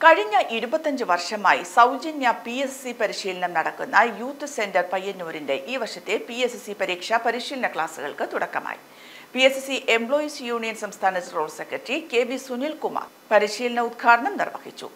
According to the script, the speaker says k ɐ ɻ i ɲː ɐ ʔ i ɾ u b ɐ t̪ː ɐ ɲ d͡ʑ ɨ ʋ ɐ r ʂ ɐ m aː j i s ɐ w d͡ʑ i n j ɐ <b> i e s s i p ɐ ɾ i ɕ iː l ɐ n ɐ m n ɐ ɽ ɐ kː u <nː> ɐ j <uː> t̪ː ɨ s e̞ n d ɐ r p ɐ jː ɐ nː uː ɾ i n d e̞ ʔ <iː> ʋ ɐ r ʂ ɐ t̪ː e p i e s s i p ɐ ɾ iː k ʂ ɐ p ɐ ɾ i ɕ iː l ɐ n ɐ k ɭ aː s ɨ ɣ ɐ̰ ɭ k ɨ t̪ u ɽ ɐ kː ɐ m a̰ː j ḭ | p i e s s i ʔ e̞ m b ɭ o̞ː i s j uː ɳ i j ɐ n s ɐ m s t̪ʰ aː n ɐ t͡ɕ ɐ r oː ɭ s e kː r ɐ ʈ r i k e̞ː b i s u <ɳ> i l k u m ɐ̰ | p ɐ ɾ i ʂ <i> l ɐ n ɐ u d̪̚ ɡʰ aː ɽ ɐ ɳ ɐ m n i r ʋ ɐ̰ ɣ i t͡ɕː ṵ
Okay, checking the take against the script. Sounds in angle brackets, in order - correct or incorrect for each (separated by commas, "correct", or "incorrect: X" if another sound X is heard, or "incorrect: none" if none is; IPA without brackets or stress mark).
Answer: incorrect: p, correct, correct, correct, incorrect: n, incorrect: iː